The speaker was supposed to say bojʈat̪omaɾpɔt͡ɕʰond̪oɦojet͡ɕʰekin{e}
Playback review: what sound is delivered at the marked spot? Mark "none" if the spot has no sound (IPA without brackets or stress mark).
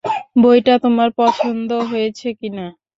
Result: a